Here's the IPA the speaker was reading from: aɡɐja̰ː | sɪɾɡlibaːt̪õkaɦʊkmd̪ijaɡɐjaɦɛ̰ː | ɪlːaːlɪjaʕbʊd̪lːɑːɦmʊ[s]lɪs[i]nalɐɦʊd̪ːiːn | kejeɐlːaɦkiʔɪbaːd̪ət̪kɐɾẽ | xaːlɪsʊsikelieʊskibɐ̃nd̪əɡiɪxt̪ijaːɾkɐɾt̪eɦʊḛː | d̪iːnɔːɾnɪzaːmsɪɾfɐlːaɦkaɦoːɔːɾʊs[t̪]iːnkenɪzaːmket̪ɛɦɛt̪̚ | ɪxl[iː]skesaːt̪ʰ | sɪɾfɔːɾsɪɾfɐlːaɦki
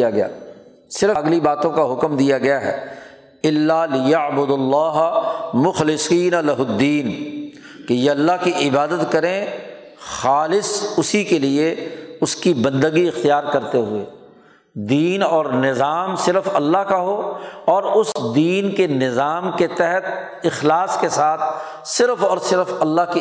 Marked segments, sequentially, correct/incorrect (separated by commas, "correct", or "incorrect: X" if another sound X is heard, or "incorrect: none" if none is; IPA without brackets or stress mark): incorrect: x, incorrect: iː, incorrect: d̪, incorrect: aː